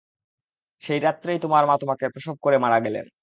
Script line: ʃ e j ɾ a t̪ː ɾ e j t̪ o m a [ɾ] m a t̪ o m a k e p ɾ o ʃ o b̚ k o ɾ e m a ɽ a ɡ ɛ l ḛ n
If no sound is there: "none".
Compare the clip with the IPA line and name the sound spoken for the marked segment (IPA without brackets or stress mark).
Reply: ɾ